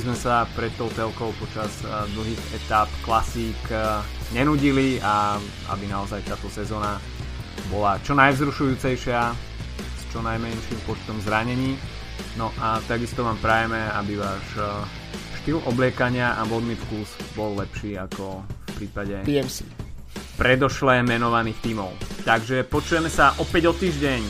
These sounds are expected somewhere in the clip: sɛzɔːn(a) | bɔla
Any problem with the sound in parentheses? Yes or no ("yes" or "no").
no